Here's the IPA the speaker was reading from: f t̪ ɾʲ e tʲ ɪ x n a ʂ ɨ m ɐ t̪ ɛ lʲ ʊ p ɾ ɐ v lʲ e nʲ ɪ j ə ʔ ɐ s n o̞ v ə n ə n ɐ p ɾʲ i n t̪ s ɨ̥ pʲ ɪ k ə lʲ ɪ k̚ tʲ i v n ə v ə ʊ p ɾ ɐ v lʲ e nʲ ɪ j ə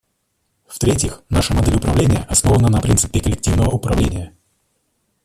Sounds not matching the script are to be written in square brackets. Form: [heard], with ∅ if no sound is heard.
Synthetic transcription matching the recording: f t̪ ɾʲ e tʲ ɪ x n a ʂ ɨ m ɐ [d̪] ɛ lʲ ʊ p ɾ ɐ v lʲ e nʲ ɪ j ə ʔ ɐ s n o̞ v ə n ə n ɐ p ɾʲ i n t̪ s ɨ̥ pʲ ɪ k ə lʲ ɪ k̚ tʲ i v n ə v ə ʊ p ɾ ɐ v lʲ e nʲ ɪ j ə

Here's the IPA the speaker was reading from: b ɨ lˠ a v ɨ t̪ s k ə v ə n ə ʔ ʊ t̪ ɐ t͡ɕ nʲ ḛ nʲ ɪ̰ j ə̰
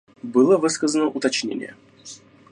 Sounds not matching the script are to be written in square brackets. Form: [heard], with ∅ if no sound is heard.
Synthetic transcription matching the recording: b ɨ lˠ [ə] v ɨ [∅] s k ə [z] ə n ə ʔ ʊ t̪ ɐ t͡ɕ nʲ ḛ nʲ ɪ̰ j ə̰

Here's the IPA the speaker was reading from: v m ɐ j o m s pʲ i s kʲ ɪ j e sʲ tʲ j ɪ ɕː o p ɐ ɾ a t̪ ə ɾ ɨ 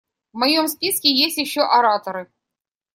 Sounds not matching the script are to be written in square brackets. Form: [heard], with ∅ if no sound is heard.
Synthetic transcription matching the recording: v m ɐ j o m s pʲ i s kʲ ɪ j e sʲ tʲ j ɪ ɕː o [ʔ] ɐ ɾ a t̪ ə ɾ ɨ

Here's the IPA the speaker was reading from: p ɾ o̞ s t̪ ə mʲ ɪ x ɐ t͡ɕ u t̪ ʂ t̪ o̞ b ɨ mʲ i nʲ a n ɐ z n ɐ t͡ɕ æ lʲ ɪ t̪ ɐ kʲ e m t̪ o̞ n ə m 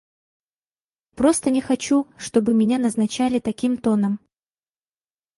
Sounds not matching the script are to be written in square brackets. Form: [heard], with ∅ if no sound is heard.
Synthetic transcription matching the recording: p ɾ o̞ s t̪ ə [nʲ] ɪ x ɐ t͡ɕ u [∅] ʂ t̪ o̞ b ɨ mʲ [ɪ] nʲ a n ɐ z n ɐ t͡ɕ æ lʲ ɪ t̪ ɐ kʲ [i] m t̪ o̞ n ə m

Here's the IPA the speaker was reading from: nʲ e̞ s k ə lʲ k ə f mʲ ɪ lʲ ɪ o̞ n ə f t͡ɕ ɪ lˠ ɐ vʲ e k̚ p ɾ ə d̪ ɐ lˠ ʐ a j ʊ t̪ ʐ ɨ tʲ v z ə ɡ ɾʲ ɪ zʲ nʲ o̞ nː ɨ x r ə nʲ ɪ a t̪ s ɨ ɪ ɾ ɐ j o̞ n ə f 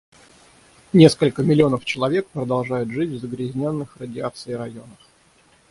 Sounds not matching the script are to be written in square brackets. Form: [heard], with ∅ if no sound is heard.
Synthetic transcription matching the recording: nʲ e̞ s k ə lʲ k ə [∅] mʲ ɪ lʲ ɪ o̞ n ə f t͡ɕ ɪ lˠ ɐ vʲ e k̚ p ɾ ə d̪ ɐ lˠ ʐ a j ʊ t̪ ʐ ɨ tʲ v z ə ɡ ɾʲ ɪ zʲ nʲ o̞ nː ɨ x r ə [dʲ] ɪ a t̪ s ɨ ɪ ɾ ɐ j o̞ n ə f

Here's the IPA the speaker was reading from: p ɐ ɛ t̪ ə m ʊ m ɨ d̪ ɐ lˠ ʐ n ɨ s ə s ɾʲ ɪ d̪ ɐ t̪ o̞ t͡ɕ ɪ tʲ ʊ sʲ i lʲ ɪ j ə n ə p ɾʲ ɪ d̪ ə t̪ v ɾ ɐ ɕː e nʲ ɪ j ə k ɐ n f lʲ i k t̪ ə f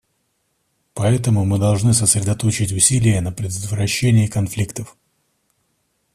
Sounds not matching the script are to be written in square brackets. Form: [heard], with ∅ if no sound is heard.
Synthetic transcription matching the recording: p ɐ ɛ t̪ ə m ʊ m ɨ d̪ ɐ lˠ ʐ n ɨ s ə s ɾʲ ɪ d̪ ɐ t̪ o̞ t͡ɕ ɪ tʲ ʊ sʲ i lʲ ɪ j ə n ə p ɾʲ ɪ d̪ ə t̪ v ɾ ɐ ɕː e nʲ ɪ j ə k ɐ n f lʲ i k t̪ ə f

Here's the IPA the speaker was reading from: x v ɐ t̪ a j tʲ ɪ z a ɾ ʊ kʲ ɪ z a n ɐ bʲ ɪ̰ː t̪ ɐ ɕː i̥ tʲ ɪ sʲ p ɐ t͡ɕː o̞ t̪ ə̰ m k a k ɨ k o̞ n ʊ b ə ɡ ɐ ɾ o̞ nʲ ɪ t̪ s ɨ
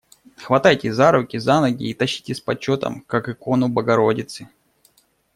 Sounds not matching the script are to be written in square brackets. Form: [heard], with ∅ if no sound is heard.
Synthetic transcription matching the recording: x v ɐ t̪ a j tʲ ɪ z a ɾ ʊ kʲ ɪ z a n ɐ [ɡʲ] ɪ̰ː t̪ ɐ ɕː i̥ tʲ ɪ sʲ p ɐ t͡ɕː o̞ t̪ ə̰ m k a k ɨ k o̞ n ʊ b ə ɡ ɐ ɾ o̞ [dʲ] ɪ t̪ s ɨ

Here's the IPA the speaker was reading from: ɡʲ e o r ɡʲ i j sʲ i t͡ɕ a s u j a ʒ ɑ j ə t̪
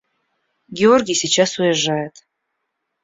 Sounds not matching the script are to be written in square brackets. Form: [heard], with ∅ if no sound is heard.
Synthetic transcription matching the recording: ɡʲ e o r ɡʲ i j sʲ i t͡ɕ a s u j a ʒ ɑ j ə t̪

